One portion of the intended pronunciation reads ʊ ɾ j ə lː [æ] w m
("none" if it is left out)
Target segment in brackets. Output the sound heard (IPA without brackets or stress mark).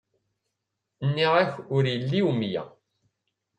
i